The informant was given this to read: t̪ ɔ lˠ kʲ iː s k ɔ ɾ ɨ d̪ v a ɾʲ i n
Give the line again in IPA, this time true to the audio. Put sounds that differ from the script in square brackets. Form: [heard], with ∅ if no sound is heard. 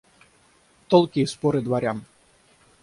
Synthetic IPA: t̪ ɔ lˠ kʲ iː s [p] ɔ ɾ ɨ d̪ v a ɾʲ [a] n